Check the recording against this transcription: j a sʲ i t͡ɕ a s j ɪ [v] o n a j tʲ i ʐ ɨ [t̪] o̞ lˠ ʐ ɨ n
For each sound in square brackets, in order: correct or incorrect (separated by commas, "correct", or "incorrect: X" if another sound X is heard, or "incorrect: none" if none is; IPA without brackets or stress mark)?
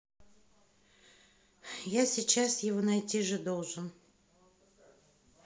correct, incorrect: d̪